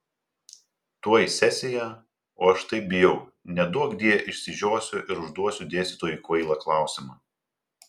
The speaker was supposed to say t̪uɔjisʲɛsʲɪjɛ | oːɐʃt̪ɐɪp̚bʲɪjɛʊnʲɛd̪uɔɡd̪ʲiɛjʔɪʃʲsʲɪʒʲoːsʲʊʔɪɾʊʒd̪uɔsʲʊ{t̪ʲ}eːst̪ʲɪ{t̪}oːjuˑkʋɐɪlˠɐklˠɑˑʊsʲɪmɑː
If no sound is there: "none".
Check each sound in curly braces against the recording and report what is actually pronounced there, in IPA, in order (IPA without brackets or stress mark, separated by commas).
d̪ʲ, t̪